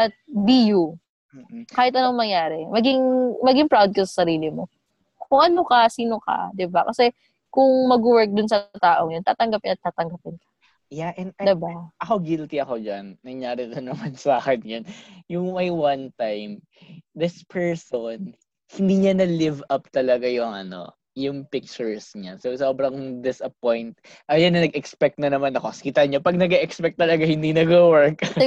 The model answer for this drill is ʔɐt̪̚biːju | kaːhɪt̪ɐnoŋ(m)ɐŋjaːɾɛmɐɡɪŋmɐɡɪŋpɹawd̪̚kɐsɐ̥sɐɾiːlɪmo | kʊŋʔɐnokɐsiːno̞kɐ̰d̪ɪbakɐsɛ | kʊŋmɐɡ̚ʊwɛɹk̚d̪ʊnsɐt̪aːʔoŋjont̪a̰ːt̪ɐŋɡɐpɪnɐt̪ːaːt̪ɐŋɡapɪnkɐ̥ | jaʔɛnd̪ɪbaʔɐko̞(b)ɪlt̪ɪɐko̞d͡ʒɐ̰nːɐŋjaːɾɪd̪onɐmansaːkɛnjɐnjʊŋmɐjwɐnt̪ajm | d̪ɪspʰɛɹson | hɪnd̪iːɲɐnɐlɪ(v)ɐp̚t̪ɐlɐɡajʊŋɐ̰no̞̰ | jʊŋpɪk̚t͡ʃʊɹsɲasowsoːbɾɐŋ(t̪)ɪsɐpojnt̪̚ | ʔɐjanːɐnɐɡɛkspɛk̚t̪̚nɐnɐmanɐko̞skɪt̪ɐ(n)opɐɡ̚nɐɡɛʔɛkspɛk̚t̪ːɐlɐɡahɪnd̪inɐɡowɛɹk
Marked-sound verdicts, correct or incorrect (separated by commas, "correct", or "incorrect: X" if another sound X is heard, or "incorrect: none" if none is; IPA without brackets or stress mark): correct, incorrect: ɡ, correct, incorrect: d̪, incorrect: ɲ